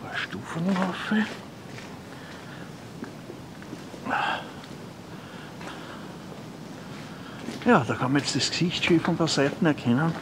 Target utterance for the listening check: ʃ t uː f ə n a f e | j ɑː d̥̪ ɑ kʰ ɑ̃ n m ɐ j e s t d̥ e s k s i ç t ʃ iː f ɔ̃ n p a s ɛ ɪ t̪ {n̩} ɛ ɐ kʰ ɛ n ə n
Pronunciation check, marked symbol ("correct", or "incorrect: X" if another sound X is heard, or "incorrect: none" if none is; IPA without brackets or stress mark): correct